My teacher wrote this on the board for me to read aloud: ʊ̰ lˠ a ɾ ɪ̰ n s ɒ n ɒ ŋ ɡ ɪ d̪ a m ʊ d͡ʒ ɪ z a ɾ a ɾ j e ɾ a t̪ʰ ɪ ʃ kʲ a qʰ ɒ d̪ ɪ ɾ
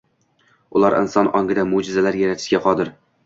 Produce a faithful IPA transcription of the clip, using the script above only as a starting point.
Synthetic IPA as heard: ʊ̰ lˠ a ɾ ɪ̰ n s ɒ n ɒ ŋ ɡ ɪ d̪ a m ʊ d͡ʒ ɪ z a l a ɾ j a ɾ a t̪ʰ ɪ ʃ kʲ a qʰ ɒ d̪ ɪ ɾ